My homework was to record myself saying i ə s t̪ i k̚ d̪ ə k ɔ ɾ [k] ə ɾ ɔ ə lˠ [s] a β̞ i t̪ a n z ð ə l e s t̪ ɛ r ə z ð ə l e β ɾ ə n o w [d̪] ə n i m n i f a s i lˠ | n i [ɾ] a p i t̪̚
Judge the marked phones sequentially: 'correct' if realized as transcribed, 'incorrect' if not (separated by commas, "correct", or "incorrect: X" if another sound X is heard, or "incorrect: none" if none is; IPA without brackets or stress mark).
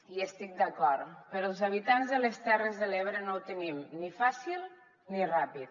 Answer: incorrect: p, incorrect: z, incorrect: t̪, incorrect: r